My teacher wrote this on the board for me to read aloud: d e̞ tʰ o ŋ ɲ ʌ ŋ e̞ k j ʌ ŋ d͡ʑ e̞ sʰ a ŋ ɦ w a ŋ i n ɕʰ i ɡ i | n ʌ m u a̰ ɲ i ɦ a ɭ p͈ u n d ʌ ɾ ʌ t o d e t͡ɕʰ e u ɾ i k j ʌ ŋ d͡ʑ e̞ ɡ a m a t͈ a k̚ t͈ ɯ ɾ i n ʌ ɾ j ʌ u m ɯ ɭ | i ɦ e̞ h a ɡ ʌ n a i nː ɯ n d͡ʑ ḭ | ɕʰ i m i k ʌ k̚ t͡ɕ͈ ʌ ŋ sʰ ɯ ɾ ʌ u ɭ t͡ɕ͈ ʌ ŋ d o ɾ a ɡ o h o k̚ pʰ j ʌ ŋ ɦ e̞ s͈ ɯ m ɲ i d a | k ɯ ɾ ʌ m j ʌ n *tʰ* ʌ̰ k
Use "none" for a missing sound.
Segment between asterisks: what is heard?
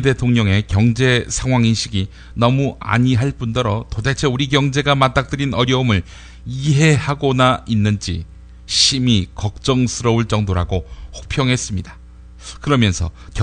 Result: sʰ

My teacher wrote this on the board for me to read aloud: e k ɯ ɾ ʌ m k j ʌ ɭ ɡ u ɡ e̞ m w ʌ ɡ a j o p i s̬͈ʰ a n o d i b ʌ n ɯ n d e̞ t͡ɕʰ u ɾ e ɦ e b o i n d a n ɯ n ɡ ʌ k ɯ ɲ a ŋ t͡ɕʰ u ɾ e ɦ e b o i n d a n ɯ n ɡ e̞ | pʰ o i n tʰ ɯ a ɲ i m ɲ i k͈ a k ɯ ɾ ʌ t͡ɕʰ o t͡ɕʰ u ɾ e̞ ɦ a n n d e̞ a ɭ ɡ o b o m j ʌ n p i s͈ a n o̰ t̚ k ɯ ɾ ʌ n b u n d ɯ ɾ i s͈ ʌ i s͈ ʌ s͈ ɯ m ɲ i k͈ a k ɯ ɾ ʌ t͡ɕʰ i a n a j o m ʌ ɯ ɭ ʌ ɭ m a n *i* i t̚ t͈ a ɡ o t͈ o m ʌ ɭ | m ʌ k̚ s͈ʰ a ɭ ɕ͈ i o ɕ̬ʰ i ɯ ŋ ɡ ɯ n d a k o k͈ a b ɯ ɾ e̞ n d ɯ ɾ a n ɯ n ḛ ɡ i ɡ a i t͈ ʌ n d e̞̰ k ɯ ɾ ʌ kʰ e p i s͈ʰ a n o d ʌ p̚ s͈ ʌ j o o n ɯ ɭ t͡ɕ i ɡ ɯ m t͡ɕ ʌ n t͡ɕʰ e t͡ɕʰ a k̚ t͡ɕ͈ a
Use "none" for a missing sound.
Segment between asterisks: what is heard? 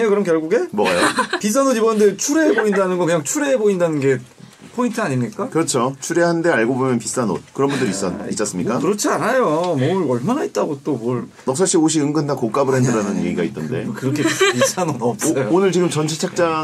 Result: a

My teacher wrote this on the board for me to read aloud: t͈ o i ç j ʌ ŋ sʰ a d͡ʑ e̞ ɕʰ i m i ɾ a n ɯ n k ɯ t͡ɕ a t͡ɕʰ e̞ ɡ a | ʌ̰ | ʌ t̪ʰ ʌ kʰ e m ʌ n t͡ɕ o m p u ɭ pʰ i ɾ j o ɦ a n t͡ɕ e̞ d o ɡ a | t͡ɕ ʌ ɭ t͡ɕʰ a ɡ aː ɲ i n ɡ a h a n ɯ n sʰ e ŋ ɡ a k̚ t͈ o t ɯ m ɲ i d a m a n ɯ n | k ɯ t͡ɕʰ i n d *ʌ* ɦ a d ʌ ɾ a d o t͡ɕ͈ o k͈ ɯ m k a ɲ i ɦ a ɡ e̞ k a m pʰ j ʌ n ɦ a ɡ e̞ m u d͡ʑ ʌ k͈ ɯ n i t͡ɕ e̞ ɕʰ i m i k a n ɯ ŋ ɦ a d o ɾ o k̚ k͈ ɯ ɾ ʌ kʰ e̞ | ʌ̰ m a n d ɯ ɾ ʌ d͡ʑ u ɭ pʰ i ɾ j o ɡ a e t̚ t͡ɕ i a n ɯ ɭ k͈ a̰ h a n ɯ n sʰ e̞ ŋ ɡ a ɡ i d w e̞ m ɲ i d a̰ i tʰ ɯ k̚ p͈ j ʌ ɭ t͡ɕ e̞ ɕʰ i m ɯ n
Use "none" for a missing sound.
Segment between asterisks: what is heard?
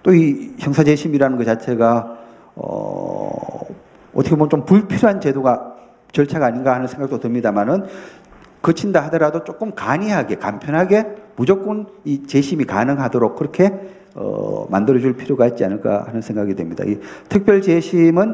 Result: a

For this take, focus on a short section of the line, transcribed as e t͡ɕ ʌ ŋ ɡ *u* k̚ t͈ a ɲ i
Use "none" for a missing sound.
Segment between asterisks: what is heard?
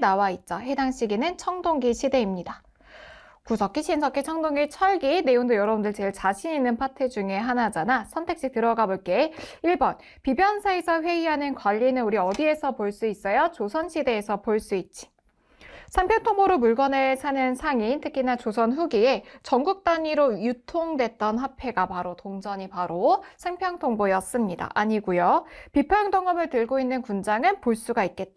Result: u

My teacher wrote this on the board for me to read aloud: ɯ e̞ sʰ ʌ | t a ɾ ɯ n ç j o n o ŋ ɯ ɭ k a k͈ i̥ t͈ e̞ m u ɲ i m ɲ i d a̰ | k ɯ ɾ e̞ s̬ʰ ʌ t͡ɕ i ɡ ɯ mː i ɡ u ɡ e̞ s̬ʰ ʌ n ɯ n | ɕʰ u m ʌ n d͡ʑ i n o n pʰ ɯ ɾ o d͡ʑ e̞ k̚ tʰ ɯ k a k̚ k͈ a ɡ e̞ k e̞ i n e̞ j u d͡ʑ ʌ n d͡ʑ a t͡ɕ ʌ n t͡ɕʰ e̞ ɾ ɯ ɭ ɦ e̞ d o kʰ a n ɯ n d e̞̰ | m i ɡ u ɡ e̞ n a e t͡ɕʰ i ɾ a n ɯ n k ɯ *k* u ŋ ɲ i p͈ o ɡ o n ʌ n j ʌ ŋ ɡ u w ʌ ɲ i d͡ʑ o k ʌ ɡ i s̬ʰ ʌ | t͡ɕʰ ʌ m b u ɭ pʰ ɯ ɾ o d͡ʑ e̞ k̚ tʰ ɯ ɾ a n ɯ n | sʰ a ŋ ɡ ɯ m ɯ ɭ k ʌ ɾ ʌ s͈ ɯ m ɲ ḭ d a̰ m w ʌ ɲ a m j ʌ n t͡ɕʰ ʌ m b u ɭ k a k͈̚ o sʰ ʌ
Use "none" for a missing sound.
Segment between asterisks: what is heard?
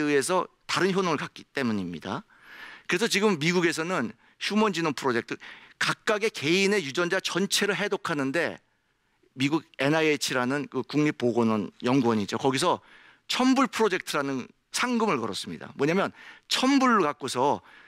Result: k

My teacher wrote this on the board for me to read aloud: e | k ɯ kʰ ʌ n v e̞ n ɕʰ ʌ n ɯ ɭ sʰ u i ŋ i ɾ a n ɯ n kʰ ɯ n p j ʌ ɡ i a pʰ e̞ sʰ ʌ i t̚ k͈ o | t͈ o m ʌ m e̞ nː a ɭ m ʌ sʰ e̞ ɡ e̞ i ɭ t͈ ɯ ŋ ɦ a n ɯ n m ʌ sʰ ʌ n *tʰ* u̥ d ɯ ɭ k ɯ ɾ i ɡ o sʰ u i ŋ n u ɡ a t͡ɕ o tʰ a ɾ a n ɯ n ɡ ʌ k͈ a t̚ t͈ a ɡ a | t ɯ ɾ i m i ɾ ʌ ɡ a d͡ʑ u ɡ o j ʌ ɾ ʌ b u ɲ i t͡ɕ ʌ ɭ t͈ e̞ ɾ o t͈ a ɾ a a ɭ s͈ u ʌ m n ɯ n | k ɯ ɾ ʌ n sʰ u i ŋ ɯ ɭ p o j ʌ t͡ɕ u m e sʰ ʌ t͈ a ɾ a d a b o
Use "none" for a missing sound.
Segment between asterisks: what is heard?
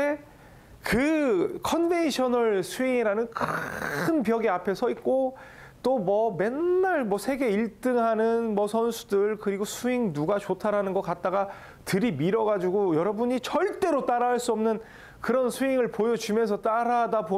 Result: sʰ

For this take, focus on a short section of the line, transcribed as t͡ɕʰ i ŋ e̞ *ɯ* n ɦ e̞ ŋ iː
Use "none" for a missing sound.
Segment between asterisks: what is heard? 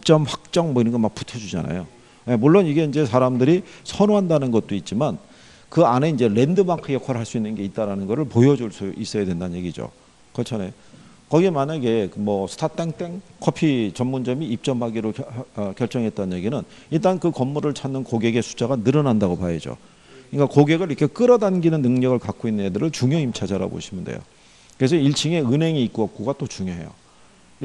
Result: ɯ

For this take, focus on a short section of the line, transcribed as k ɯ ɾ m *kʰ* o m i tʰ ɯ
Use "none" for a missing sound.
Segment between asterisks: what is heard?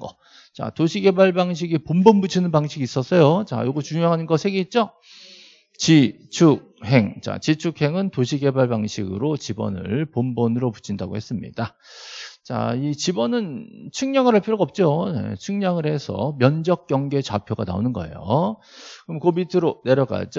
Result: k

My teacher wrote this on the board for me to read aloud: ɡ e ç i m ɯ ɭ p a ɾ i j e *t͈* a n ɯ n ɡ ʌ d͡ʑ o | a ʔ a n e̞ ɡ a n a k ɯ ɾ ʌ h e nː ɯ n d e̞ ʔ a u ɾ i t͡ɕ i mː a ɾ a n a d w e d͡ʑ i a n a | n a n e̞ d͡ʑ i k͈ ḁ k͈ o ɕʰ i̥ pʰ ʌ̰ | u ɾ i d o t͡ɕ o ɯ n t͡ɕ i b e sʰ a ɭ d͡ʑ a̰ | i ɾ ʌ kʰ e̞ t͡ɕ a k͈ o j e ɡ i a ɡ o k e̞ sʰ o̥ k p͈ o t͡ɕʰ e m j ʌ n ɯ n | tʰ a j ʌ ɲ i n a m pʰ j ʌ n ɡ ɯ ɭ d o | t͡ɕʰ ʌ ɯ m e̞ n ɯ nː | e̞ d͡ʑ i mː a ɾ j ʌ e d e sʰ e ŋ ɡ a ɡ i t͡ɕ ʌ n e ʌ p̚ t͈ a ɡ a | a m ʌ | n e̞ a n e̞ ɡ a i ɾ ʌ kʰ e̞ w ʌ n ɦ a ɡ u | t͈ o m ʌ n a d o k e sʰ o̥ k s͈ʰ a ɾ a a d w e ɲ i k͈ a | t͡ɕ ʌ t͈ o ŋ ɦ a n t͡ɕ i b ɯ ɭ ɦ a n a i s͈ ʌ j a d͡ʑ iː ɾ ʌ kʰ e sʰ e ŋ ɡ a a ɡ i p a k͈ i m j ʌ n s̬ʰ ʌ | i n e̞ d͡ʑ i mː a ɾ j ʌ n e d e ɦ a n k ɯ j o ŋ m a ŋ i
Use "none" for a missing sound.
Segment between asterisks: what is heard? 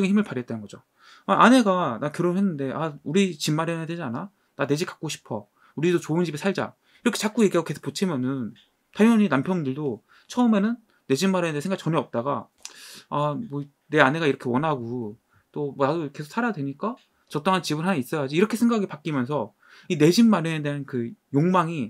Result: t͈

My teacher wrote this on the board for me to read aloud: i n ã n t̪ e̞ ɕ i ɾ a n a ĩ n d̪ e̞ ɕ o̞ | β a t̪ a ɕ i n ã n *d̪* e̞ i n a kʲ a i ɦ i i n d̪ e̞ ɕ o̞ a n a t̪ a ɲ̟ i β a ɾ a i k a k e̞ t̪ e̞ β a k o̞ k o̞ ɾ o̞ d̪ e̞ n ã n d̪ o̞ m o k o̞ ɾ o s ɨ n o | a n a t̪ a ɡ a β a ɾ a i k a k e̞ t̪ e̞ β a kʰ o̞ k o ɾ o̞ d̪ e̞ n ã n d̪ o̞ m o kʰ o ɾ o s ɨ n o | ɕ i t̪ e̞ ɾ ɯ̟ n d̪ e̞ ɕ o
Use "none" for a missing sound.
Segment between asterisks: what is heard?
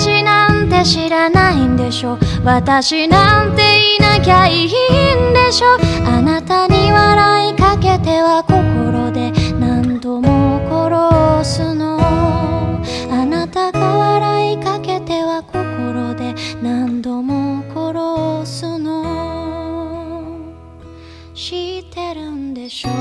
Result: t̪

